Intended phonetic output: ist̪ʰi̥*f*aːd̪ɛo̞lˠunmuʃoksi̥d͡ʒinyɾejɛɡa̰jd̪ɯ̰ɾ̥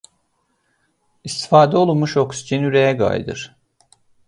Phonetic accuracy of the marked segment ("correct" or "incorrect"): correct